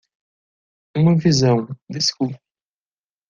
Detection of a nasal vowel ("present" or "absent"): present